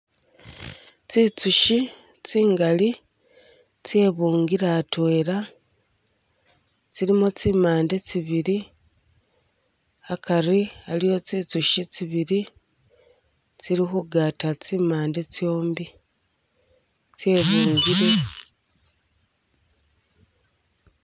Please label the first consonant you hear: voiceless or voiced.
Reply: voiceless